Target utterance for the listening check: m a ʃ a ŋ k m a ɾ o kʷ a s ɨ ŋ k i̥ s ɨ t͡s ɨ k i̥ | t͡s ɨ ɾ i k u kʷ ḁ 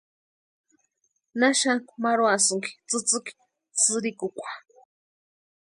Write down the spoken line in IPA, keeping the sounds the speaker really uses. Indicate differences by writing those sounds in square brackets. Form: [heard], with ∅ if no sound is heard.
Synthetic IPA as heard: [n] a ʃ a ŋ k m a ɾ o [∅] a s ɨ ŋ k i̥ [t͡s] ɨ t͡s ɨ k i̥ | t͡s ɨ ɾ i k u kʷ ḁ